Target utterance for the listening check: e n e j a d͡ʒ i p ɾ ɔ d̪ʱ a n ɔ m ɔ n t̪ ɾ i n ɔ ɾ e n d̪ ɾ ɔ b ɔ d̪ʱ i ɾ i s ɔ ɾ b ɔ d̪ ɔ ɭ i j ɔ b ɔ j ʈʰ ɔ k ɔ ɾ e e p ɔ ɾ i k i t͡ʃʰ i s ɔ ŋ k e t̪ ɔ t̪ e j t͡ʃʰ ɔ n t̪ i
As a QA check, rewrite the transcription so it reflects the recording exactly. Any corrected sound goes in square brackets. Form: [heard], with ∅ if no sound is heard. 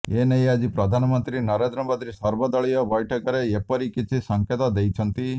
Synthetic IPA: e n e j a d͡ʒ i p ɾ ɔ d̪ʱ a n ɔ m ɔ n t̪ ɾ i n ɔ ɾ e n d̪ ɾ ɔ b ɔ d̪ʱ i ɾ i s ɔ ɾ b ɔ d̪ ɔ ɭ i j ɔ b ɔ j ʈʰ ɔ k ɔ ɾ e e p ɔ ɾ i k i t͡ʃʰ i s ɔ ŋ k e t̪ ɔ [d̪] e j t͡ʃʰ ɔ n t̪ i